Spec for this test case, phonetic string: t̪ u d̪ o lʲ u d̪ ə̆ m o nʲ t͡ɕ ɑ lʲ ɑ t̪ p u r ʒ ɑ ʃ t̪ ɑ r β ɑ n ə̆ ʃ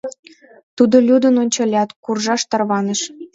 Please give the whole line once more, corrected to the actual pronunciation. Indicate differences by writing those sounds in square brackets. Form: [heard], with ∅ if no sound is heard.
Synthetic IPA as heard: t̪ u d̪ o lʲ u d̪ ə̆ [n] o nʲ t͡ɕ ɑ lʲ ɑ t̪ [k] u r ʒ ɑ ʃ t̪ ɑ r β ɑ n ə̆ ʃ